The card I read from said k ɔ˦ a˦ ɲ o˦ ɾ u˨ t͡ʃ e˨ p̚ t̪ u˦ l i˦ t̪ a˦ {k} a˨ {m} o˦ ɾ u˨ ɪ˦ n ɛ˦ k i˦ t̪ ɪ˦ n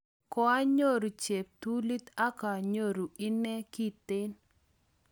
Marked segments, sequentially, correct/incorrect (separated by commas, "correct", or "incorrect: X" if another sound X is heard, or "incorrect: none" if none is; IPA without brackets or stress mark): correct, incorrect: ɲ